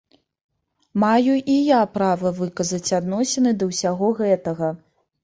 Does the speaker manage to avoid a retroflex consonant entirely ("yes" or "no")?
yes